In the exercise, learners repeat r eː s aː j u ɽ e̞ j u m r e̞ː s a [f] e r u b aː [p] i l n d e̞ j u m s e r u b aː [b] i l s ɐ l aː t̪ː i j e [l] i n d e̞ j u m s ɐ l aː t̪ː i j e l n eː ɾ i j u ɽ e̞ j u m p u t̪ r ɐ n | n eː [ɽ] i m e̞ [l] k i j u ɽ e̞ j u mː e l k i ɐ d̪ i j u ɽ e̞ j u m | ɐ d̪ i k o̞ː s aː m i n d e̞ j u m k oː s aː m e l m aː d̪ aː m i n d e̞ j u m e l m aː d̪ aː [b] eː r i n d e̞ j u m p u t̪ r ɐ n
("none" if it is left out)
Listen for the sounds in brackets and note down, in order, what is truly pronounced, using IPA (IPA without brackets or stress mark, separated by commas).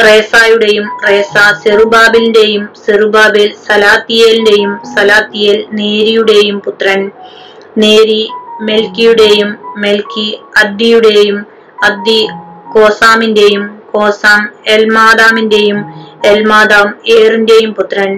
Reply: s, b, b, l, ɾ, l, m